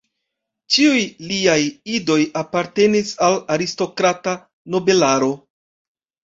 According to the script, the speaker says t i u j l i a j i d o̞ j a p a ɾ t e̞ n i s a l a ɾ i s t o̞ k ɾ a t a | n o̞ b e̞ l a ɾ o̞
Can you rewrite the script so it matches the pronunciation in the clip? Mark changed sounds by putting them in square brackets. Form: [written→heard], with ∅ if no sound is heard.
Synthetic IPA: [t→t͡ʃ] i u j l i a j i d o̞ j a p a ɾ t e̞ n i s a l a ɾ i s t o̞ k ɾ a t a | n o̞ b e̞ l a ɾ o̞